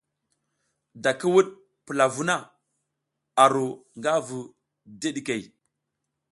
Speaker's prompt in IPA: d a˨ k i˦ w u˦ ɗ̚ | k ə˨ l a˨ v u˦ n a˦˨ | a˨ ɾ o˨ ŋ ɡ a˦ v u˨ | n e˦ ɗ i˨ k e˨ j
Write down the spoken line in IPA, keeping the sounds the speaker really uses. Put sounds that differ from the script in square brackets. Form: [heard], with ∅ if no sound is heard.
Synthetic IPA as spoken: d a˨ k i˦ w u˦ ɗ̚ | [p] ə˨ l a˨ v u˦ n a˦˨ | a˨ ɾ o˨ ŋ ɡ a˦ v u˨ | [d] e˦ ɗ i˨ k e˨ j